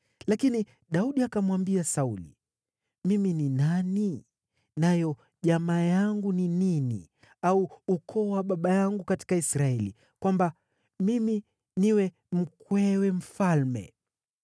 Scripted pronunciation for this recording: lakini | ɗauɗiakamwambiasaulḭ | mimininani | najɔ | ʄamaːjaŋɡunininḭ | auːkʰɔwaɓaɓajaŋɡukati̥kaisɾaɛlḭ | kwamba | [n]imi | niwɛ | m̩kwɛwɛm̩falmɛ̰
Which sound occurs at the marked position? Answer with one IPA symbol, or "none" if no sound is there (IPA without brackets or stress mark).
m